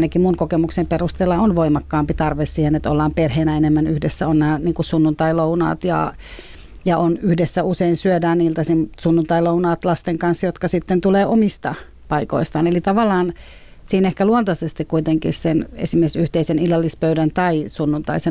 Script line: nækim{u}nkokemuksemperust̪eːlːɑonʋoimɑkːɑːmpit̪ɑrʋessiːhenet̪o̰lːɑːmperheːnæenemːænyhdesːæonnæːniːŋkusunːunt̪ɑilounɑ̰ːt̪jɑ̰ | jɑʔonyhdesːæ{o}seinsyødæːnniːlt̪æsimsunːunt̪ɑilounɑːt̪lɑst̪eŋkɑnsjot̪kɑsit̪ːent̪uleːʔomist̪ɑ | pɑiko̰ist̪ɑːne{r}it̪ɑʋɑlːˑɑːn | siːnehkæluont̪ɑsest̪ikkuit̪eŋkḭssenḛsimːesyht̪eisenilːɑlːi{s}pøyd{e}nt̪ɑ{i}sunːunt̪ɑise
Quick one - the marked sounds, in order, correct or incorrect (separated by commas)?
correct, incorrect, incorrect, correct, incorrect, correct